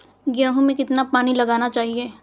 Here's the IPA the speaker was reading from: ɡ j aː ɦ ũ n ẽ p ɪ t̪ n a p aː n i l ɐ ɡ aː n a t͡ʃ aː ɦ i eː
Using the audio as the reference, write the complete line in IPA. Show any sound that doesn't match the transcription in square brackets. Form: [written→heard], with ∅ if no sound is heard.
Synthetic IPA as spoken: ɡ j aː ɦ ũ [n→m] ẽ [p→k] ɪ t̪ n a p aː n i l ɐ ɡ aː n a t͡ʃ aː ɦ i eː